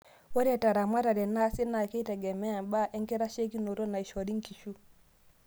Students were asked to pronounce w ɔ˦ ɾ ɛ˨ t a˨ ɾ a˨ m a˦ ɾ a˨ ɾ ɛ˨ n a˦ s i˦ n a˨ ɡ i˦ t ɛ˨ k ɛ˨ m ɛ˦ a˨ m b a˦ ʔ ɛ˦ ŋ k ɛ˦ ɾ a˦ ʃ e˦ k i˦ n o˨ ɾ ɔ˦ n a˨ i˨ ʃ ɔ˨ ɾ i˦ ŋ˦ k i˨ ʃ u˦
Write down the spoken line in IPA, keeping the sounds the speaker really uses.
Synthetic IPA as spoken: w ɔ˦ ɾ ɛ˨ t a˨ ɾ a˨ m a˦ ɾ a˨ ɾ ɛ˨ n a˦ s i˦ n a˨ k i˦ t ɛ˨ ɡ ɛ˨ m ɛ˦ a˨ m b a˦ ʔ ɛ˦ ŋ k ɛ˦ ɾ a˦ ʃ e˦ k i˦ n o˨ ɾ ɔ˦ n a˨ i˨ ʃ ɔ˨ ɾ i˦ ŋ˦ k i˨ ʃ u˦

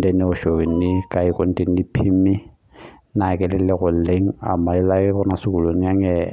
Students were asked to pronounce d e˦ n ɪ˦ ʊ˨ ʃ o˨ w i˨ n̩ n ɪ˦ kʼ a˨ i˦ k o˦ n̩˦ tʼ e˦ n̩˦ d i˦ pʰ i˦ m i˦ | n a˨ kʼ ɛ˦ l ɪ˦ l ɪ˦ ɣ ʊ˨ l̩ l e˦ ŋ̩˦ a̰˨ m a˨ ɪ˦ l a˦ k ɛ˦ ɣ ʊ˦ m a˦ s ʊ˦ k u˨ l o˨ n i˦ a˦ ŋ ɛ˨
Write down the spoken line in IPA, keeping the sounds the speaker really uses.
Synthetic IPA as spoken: d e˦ n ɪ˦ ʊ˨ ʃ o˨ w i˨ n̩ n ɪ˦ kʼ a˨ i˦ k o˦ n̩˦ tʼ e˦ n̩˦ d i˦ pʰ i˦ m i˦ | n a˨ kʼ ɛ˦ l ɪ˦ l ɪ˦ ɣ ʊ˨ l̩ l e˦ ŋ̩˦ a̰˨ m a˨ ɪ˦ l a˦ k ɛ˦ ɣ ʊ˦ n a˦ s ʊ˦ k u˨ l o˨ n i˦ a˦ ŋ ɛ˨

